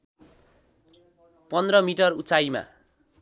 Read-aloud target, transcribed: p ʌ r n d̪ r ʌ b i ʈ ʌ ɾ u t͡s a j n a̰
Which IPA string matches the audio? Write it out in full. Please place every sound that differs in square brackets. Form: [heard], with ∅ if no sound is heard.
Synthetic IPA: p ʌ [∅] n d̪ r ʌ [m] i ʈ ʌ [r] u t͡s a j [m] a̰